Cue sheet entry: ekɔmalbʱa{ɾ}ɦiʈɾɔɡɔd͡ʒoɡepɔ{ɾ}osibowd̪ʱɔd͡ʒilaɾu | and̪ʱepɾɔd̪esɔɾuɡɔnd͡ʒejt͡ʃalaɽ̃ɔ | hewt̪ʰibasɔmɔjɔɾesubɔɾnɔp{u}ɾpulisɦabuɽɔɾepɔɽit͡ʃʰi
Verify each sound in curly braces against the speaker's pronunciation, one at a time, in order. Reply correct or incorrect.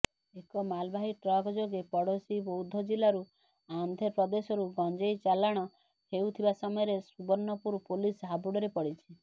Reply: incorrect: none, incorrect: ɽ, correct

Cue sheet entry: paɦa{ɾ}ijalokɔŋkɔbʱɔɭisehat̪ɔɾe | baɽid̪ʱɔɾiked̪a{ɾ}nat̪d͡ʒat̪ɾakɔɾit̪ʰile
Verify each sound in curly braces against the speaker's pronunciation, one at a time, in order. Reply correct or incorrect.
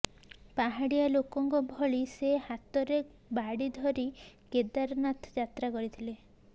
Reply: incorrect: ɽ, correct

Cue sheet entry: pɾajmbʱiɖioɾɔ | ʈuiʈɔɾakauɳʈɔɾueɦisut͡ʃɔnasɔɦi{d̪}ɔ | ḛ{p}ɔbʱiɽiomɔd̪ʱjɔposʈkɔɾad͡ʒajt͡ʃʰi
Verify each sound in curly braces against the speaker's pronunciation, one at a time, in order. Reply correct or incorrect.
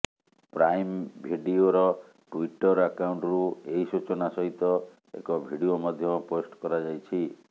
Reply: incorrect: t̪, incorrect: k

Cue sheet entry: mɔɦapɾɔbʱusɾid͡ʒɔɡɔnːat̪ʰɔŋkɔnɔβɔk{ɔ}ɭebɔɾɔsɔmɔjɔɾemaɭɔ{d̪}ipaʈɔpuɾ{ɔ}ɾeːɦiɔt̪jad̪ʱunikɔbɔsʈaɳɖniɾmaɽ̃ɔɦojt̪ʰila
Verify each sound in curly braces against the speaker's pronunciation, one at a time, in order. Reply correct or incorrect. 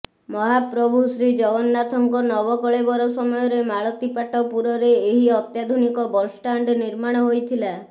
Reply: correct, incorrect: t̪, correct

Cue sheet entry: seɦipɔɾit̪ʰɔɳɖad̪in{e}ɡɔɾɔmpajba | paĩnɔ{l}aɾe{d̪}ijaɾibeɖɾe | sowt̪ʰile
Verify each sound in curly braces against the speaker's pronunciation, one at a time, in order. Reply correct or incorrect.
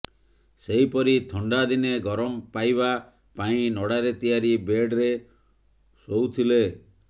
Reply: correct, incorrect: ɽ, incorrect: t̪

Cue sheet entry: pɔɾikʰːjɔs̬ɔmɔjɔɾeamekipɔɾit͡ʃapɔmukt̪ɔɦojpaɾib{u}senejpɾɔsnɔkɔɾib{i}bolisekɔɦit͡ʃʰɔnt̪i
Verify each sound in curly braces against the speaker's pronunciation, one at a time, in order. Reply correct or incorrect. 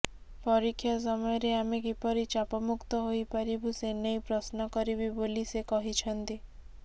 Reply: correct, correct

